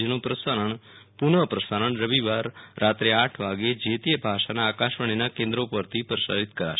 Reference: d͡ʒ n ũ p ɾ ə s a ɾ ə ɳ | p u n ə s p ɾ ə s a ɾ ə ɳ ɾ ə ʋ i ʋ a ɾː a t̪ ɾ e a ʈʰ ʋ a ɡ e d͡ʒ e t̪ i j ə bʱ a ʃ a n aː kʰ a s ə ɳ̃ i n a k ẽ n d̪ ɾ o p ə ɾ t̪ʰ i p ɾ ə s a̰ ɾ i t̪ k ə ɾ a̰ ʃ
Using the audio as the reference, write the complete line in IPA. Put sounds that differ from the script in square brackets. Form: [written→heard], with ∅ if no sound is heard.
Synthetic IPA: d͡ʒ n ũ p ɾ ə s a ɾ ə ɳ | p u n ə [s→∅] p ɾ ə s a ɾ ə ɳ ɾ ə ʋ i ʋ a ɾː a t̪ ɾ e a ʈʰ ʋ a ɡ e d͡ʒ e t̪ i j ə bʱ a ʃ a n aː [kʰ→k] a [s→ʃ] ə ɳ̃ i n a k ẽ n d̪ ɾ o p ə ɾ t̪ʰ i p ɾ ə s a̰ ɾ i t̪ k ə ɾ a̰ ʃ